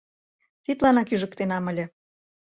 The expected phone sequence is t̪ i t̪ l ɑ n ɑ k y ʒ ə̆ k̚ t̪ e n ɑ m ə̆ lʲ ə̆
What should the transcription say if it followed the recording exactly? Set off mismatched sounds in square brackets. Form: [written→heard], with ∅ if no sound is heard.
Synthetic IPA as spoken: t̪ i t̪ l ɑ n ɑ k y ʒ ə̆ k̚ t̪ e n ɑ m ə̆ lʲ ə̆